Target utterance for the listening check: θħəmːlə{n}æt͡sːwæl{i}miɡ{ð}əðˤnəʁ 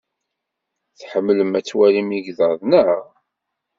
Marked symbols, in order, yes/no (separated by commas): no, yes, yes